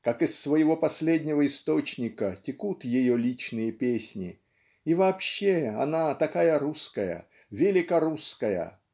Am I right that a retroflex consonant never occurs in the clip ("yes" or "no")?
yes